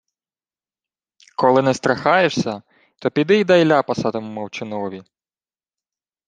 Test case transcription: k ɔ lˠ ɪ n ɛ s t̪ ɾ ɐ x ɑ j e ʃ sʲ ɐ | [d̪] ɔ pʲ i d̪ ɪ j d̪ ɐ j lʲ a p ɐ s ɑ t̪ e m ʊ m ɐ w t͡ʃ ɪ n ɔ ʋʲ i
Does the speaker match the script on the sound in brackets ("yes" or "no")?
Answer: no